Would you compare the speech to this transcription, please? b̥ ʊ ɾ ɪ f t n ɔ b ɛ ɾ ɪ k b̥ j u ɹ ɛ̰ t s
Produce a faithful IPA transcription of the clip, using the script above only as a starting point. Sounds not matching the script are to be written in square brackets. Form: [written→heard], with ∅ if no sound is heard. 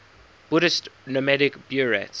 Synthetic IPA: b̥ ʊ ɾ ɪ [f→s] t n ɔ [b→m] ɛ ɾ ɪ k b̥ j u ɹ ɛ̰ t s